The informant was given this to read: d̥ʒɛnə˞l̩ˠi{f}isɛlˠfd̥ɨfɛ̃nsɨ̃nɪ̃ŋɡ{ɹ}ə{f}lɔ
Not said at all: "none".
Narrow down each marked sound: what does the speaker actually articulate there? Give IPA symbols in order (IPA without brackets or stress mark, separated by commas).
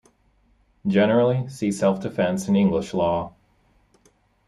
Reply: s, l, ʃ